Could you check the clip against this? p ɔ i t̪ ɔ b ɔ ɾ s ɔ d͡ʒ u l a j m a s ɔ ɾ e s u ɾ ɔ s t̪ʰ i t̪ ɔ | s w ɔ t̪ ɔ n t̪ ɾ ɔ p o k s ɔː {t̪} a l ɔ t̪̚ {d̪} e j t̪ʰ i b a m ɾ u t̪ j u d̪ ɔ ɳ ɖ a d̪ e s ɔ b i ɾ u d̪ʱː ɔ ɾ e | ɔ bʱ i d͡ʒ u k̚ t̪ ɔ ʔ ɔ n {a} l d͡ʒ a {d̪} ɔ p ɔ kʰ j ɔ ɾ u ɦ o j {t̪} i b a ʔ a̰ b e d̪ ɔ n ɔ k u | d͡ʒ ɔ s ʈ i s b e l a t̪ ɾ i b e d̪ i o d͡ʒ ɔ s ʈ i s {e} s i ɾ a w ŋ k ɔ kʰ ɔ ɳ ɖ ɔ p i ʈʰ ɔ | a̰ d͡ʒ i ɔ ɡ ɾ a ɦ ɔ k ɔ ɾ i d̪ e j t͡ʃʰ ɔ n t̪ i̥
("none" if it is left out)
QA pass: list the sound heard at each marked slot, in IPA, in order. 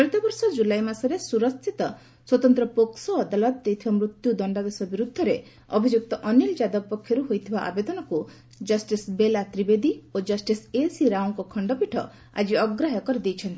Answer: d̪, d̪, i, d̪, t̪ʰ, e

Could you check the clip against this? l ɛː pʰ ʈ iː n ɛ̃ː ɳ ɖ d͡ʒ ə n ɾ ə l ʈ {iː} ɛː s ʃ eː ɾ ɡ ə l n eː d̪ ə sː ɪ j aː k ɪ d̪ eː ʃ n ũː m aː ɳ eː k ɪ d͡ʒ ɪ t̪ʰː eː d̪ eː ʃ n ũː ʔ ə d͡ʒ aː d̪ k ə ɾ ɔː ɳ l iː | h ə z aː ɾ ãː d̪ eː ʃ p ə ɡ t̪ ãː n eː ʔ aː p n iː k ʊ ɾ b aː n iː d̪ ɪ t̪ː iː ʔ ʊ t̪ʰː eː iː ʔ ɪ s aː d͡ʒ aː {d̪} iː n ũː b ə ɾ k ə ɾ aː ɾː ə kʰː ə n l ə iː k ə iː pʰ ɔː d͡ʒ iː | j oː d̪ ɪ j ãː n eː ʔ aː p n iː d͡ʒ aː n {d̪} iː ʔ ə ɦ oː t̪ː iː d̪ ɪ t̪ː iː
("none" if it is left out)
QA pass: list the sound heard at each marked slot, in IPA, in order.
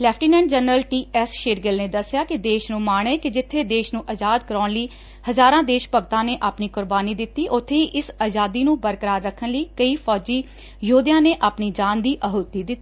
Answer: iː, d̪, d̪

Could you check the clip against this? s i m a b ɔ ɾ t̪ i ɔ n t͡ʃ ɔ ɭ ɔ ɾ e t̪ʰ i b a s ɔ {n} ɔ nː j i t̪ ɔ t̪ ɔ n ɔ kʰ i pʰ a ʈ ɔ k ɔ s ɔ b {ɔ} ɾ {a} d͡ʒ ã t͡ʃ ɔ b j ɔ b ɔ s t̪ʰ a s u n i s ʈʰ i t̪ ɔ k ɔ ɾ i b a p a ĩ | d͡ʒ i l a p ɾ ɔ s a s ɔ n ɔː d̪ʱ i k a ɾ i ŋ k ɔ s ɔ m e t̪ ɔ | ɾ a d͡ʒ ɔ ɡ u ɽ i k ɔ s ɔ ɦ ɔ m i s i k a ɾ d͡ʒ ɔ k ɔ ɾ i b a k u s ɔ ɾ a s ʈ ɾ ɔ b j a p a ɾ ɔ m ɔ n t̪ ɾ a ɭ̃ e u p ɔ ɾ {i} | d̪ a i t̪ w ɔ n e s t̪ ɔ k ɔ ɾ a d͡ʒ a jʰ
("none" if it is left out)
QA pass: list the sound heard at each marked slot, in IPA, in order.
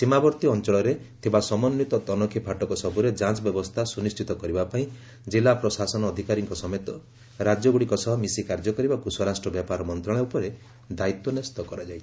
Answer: m, u, e, e

